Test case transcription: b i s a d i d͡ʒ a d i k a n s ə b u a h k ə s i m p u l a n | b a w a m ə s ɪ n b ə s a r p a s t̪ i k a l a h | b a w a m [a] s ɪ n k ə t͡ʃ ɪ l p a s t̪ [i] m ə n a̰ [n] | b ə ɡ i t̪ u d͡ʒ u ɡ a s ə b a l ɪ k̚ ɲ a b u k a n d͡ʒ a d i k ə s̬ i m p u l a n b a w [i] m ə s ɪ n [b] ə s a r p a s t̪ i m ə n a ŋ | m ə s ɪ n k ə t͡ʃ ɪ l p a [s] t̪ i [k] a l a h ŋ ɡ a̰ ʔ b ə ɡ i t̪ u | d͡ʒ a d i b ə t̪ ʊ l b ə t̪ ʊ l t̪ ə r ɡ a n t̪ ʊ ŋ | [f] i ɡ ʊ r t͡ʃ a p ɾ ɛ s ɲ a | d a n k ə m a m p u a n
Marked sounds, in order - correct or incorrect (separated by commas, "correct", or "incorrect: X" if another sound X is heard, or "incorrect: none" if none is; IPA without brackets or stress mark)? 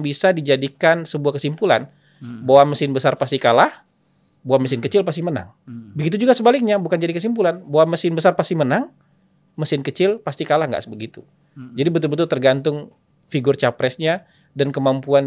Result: incorrect: ə, correct, incorrect: ŋ, incorrect: a, correct, correct, correct, correct